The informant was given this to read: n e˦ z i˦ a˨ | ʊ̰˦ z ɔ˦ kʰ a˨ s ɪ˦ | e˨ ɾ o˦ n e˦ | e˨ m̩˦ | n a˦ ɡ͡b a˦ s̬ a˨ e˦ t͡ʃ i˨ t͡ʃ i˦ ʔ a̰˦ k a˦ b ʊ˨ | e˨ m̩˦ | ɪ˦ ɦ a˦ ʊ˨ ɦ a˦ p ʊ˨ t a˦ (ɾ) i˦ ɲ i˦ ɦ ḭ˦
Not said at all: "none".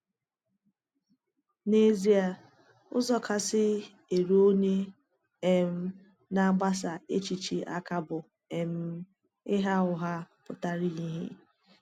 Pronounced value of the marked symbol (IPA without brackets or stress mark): ɾ